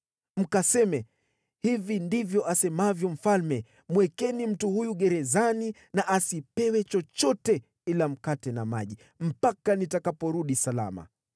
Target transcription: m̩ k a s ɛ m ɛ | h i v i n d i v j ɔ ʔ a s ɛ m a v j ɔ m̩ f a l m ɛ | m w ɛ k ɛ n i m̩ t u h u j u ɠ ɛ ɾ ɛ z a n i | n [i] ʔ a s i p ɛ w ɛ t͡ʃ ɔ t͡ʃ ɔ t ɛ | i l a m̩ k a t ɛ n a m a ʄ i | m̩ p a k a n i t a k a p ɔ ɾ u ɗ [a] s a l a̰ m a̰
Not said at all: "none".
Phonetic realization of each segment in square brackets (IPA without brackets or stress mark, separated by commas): a, i